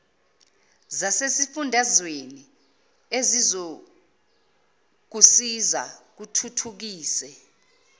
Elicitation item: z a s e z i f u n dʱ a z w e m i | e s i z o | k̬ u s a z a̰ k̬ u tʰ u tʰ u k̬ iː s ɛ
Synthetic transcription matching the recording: z a s e s i f u n dʱ a z w e n i | e z i z o | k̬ u s i z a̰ k̬ u tʰ u tʰ u k̬ iː s ɛ